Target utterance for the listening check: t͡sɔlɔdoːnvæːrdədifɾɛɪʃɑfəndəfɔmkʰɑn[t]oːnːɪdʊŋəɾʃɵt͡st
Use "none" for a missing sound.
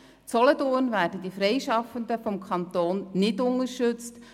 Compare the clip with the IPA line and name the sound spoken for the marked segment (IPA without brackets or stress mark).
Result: t